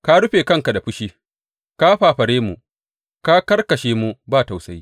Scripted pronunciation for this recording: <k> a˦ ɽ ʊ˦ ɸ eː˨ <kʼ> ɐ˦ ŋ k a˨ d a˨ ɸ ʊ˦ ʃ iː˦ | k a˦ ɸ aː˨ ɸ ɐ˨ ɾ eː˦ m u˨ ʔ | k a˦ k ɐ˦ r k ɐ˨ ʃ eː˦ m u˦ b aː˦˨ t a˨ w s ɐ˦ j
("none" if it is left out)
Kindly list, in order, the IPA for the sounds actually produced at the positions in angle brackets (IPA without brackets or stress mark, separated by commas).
k, k